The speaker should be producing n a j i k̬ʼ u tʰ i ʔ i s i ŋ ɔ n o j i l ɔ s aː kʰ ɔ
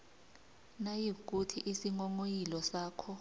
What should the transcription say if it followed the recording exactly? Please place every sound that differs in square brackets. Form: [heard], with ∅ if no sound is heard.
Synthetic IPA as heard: n a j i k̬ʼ u tʰ i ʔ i s i ŋ ɔ [ŋ] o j i l ɔ s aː kʰ ɔ